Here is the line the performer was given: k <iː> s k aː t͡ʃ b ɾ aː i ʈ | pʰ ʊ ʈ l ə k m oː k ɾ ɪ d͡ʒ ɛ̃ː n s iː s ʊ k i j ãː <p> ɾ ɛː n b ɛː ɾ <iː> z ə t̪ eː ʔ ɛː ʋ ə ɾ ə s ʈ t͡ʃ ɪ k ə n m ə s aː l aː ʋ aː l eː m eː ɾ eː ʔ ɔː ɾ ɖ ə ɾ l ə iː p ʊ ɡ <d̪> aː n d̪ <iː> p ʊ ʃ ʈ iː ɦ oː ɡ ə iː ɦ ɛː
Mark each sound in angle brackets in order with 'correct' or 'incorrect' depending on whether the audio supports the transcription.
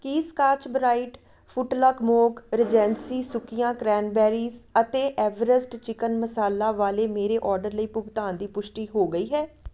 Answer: correct, incorrect: k, correct, incorrect: t̪, correct

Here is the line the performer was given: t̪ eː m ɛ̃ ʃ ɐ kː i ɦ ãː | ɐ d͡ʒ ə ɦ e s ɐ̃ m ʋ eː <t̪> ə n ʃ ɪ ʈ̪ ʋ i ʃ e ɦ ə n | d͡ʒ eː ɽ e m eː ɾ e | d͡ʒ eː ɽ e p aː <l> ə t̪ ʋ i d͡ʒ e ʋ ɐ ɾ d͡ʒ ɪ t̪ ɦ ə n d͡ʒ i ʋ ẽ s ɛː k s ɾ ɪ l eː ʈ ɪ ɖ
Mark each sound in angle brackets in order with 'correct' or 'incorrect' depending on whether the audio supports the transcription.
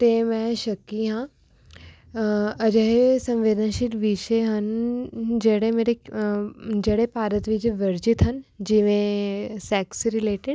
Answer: incorrect: d̪, incorrect: ɾ

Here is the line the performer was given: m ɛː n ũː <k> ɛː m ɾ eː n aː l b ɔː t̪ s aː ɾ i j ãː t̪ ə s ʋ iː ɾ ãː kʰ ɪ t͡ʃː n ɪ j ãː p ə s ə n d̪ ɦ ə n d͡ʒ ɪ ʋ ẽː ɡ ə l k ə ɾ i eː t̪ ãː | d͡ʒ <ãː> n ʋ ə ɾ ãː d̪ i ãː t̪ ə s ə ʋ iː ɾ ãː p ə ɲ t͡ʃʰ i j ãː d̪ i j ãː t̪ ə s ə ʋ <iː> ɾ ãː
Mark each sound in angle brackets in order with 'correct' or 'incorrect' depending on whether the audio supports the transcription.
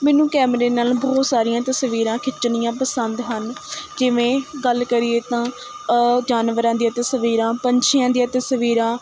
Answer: correct, incorrect: aː, correct

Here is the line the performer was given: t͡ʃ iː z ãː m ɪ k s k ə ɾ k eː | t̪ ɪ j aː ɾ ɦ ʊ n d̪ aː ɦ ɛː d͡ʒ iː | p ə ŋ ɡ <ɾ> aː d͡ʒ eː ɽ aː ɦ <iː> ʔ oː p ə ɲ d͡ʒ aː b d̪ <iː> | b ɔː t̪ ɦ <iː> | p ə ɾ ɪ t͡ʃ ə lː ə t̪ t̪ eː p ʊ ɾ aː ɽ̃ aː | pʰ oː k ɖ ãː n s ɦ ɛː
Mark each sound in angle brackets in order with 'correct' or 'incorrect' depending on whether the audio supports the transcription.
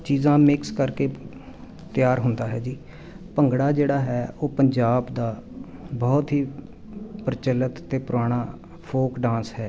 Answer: incorrect: ɽ, incorrect: ɛː, incorrect: aː, correct

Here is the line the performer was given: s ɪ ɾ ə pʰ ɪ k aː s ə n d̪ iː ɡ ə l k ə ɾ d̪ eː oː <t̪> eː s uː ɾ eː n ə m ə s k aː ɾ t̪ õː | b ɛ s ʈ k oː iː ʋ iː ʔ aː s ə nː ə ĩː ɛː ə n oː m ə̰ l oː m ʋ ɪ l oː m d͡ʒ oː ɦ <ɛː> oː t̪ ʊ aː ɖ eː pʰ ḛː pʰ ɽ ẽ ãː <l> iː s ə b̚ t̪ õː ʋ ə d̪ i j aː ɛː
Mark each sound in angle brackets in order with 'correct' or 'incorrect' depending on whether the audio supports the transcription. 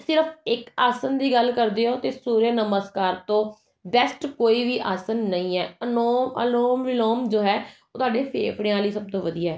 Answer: correct, correct, correct

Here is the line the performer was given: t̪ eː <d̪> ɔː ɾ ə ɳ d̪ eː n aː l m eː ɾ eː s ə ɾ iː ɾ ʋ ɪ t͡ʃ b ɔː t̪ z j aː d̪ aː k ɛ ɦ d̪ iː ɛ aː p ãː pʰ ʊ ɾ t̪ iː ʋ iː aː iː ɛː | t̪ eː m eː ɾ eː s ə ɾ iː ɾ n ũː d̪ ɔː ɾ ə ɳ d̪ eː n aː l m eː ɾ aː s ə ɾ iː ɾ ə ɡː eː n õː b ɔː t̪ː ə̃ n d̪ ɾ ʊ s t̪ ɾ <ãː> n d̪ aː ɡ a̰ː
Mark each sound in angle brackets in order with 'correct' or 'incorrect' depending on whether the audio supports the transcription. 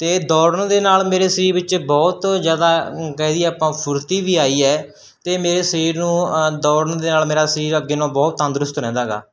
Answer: correct, incorrect: ɛ̃ː

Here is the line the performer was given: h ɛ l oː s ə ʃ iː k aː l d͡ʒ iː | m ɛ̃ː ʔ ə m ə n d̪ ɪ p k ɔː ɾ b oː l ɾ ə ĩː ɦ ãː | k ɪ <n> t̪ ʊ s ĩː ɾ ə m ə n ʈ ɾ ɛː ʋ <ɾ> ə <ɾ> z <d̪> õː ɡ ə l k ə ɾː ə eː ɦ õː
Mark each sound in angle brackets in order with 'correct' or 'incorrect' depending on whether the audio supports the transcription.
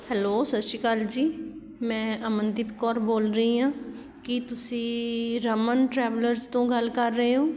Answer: incorrect: none, incorrect: l, correct, incorrect: t̪

